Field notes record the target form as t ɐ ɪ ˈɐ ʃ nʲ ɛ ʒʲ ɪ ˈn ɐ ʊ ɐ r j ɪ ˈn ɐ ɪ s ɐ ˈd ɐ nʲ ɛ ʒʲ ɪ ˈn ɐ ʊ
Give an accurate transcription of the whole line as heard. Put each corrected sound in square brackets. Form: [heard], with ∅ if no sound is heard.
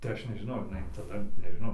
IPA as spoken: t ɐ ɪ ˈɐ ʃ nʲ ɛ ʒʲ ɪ ˈn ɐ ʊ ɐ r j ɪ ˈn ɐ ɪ [t] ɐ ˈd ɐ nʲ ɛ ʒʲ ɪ ˈn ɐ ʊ